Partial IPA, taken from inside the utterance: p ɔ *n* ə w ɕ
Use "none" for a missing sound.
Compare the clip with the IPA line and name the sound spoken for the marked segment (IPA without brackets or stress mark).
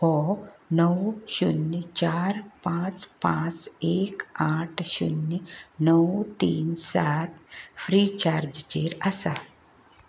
n